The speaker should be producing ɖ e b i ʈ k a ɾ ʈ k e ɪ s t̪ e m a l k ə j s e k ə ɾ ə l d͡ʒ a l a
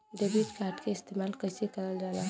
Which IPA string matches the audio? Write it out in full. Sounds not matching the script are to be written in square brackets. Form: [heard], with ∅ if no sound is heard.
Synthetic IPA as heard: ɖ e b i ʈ k a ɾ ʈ k e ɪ s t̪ e m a l k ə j s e k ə ɾ ə l d͡ʒ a l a

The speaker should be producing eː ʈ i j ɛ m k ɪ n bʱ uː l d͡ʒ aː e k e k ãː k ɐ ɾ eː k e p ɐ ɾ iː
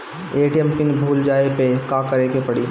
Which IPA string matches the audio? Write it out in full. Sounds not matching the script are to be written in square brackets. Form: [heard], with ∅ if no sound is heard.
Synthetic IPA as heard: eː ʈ i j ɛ m [p] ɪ n bʱ uː l d͡ʒ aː e [p] e k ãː k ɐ ɾ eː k e p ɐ [ɽ] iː

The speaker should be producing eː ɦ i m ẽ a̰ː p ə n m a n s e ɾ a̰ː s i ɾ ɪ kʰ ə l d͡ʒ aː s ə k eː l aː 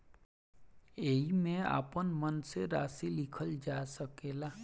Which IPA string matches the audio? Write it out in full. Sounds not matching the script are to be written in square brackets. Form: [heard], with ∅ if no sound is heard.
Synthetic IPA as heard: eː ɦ i m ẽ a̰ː p ə n m [ə] n s e ɾ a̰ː s i [l] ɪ kʰ ə l d͡ʒ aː s ə k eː l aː

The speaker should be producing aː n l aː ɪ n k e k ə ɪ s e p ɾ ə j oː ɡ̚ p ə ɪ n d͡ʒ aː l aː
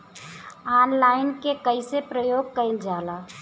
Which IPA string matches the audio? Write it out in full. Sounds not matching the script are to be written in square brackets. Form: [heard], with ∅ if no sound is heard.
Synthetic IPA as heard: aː n l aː ɪ n k e k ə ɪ s e p ɾ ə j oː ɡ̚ [k] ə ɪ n d͡ʒ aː l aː

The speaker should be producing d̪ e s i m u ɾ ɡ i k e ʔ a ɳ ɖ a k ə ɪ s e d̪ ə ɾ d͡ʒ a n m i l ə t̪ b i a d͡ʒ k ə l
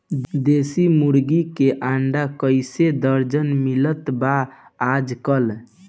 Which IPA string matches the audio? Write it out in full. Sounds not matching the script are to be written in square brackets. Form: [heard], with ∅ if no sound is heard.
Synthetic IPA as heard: d̪ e s i m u ɾ ɡ i k e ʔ a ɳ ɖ a k ə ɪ s e d̪ ə ɾ d͡ʒ [ə] n m i l ə t̪ b [a] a d͡ʒ k ə l

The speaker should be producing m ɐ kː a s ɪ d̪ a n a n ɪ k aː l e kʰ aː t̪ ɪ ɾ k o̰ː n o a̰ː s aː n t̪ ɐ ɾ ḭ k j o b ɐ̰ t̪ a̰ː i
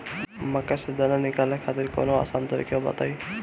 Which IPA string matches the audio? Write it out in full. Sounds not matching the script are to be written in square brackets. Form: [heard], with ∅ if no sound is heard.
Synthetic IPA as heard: m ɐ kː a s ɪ d̪ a n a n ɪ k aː l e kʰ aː t̪ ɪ ɾ k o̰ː n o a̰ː s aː n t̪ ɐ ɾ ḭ k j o b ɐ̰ t̪ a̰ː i

